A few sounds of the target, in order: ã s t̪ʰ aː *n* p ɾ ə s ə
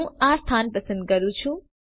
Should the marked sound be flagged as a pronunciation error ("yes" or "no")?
no